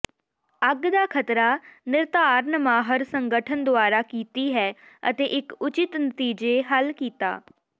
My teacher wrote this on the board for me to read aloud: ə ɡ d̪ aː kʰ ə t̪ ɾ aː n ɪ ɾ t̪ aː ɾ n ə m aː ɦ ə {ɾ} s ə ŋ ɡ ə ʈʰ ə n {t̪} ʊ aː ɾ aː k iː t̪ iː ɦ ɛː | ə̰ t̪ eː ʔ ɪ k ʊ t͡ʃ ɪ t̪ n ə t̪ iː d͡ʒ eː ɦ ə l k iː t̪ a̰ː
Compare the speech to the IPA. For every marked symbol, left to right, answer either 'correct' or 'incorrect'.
correct, incorrect

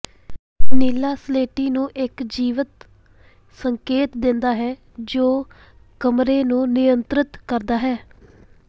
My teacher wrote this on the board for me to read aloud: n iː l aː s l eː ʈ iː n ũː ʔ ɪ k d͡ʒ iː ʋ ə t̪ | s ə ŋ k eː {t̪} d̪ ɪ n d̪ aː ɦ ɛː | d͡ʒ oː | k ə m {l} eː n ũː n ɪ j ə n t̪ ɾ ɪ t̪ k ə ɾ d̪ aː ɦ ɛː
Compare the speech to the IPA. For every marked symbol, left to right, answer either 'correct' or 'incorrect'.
correct, incorrect

